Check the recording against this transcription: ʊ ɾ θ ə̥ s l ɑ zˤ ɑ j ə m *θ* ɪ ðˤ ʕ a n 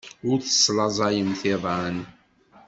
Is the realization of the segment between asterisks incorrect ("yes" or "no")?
no